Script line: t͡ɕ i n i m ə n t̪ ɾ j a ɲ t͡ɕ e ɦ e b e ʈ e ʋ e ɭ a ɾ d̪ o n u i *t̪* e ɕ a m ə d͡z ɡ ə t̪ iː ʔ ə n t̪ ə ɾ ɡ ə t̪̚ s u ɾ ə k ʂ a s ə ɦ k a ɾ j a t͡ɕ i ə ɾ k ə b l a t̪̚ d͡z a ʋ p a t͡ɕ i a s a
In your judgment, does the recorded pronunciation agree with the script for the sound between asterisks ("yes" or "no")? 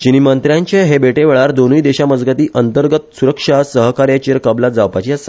no